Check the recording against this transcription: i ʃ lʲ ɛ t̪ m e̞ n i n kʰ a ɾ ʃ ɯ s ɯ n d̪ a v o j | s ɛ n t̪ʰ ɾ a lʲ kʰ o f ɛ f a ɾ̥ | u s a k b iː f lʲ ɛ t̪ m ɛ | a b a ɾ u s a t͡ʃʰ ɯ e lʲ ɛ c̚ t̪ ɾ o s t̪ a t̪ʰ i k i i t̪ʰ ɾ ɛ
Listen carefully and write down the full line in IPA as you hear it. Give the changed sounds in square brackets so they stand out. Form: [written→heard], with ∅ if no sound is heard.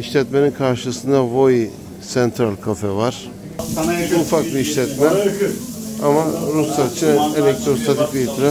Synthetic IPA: i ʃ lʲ ɛ t̪ m e̞ n i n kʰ a ɾ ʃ ɯ s ɯ n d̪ a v o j | s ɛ n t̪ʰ ɾ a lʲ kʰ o f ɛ [f→v] a ɾ̥ | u [s→f] a k b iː [f→ʃ] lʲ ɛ t̪ m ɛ | a [b→m] a ɾ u s a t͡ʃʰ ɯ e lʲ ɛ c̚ t̪ ɾ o s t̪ a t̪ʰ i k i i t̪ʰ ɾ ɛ

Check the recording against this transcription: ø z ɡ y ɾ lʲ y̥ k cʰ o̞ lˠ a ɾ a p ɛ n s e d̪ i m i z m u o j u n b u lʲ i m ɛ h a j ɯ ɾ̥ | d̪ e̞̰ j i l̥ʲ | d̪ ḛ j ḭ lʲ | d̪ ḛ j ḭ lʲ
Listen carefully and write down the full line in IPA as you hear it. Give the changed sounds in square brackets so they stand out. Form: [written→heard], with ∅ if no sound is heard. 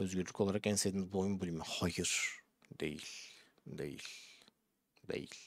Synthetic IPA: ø z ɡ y ɾ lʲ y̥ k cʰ o̞ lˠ a ɾ a [p→k] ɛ n s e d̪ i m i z [m→b] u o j u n b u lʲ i m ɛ h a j ɯ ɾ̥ | d̪ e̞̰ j i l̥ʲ | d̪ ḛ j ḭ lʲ | d̪ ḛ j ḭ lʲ

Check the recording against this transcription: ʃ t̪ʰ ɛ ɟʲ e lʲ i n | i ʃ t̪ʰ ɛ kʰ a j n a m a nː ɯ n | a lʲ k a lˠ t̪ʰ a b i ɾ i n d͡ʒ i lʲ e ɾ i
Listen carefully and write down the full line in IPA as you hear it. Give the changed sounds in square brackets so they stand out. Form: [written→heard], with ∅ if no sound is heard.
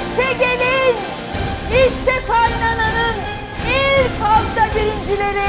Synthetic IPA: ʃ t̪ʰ ɛ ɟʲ e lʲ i n | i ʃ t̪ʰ ɛ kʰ a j n a [m→n] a [nː→n] ɯ n | [a→i] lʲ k a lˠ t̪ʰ a b i ɾ i n d͡ʒ i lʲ e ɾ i

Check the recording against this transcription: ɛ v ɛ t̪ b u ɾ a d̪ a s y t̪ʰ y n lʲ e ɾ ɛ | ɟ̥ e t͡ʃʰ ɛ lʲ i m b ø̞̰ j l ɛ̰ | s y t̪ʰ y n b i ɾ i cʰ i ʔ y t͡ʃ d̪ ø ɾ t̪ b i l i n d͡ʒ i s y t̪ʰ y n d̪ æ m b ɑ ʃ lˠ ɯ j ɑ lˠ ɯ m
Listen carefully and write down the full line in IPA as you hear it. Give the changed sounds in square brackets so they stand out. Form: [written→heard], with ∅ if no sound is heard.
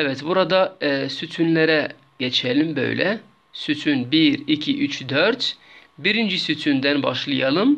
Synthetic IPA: ɛ v ɛ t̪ b u ɾ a d̪ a s y t̪ʰ y n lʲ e ɾ ɛ | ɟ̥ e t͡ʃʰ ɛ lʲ i m b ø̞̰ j l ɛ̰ | s y t̪ʰ y n b i ɾ i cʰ i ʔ y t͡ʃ d̪ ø ɾ t̪ b i [l→ɾ] i n d͡ʒ i s y t̪ʰ y n d̪ æ [m→n] b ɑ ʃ lˠ ɯ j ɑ lˠ ɯ m

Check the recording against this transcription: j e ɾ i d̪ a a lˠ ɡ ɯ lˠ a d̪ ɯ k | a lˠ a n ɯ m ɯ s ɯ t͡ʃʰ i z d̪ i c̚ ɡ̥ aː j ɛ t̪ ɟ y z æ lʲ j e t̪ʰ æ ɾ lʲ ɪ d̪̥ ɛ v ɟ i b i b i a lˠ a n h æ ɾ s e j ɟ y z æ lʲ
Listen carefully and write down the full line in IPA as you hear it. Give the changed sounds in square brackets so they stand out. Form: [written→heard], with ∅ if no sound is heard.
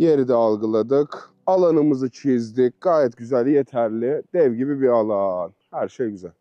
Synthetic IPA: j e ɾ i d̪ [a→ɛ] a lˠ ɡ ɯ lˠ a d̪ ɯ k | a lˠ a n ɯ m ɯ [s→z] ɯ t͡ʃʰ i z d̪ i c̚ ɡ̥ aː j ɛ t̪ ɟ y z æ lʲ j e t̪ʰ æ ɾ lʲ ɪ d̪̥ ɛ v ɟ i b i b i a lˠ a n h æ ɾ [s→ʃ] e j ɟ y z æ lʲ

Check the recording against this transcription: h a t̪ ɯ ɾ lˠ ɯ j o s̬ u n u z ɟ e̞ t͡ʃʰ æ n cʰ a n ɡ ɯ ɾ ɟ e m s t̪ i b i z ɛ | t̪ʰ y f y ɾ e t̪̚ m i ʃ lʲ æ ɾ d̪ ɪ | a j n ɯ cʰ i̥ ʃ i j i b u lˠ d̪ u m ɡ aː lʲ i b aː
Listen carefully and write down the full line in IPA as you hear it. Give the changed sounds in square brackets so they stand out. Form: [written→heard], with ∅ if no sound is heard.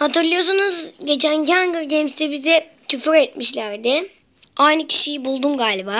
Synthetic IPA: h a t̪ ɯ ɾ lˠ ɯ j o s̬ u n u z ɟ e̞ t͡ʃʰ æ n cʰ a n ɡ ɯ ɾ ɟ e m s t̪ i b i z ɛ | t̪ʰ y f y ɾ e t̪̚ m i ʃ lʲ æ ɾ d̪ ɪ | a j n ɯ cʰ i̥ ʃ i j i b u lˠ d̪ u m ɡ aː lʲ i b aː

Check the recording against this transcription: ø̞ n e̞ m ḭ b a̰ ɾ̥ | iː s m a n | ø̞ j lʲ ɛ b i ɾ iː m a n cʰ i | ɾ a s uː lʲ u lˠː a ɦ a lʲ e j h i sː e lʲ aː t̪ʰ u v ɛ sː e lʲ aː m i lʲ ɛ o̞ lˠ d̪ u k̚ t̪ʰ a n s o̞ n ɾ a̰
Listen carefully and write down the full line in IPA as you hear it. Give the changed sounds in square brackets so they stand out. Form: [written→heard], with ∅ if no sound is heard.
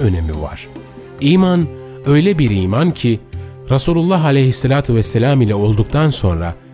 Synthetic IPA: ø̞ n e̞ m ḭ [b→v] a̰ ɾ̥ | iː [s→∅] m a n | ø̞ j lʲ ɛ b i ɾ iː m a n cʰ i | ɾ a s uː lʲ u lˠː a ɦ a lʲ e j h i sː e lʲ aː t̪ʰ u v ɛ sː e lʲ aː m i lʲ ɛ o̞ lˠ d̪ u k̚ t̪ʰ a n s o̞ n ɾ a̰

